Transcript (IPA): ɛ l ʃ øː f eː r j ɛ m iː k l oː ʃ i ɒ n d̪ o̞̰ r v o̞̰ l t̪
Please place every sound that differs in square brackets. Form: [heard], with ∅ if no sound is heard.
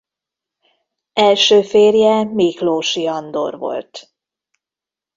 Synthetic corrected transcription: ɛ l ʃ øː f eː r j ɛ m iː k l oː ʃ i ɒ n d̪ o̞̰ r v o̞̰ l t̪